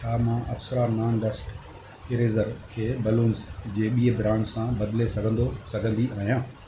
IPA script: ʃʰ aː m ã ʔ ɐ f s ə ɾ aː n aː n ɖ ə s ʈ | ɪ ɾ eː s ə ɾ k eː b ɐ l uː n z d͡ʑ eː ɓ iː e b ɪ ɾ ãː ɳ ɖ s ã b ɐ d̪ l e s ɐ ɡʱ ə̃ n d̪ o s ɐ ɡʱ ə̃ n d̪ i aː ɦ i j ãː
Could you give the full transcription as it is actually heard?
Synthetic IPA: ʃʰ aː m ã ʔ ɐ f s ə ɾ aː n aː n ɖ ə s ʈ | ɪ ɾ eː z ə ɾ kʰ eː b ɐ l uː n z d͡ʑ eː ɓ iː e b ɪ ɾ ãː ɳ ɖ s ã b ɐ d̪ l e s ɐ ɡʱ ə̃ n d̪ o s ɐ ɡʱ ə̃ n d̪ i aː ɦ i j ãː